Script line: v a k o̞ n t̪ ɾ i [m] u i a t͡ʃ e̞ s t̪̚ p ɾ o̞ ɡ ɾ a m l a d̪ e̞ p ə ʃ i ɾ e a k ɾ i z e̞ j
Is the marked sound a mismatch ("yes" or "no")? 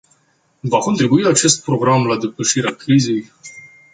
yes